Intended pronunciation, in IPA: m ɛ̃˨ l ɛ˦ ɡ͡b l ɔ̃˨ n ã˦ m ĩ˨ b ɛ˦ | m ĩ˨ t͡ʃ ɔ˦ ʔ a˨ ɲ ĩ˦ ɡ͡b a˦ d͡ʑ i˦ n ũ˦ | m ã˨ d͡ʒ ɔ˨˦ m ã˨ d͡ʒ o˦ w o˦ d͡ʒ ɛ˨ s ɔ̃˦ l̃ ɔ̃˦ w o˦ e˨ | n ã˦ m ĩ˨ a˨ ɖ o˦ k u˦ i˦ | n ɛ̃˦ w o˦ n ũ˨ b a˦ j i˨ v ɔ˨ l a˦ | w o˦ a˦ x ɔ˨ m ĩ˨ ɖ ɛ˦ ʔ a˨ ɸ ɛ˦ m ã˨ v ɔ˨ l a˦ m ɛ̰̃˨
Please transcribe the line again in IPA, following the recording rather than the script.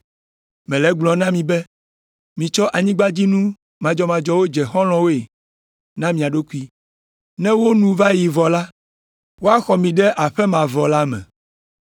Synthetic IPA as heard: m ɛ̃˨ l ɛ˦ ɡ͡b l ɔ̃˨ n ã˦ m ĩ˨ b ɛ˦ | m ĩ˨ t͡ʃ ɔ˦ ʔ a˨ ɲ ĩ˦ ɡ͡b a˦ d͡ʑ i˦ n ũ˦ | m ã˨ d͡ʒ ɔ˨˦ m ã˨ d͡ʒ ɔ˦ w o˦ d͡ʒ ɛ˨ x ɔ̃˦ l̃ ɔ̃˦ w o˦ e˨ | n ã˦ m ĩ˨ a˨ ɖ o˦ k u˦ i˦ | n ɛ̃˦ w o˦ n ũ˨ v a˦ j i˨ v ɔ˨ l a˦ | w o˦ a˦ x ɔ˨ m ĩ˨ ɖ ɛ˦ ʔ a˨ ɸ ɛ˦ m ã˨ v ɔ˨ l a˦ m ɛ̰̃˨